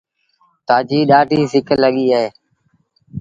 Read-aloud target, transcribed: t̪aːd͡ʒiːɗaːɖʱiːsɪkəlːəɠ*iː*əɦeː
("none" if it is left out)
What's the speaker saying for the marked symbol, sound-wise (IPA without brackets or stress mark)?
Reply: iː